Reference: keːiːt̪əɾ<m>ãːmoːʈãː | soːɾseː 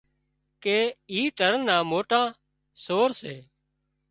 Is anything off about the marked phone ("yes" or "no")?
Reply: yes